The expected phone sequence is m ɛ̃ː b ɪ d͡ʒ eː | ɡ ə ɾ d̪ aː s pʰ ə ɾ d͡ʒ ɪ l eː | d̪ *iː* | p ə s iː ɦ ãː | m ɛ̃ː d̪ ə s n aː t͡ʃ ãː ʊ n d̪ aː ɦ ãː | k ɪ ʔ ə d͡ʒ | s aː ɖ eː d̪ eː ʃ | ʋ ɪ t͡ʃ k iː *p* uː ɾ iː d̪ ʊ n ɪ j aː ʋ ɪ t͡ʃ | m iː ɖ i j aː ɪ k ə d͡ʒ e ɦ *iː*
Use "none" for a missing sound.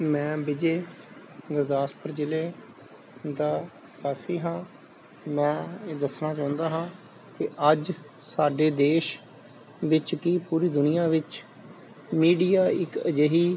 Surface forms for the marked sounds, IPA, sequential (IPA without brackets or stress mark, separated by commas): aː, p, iː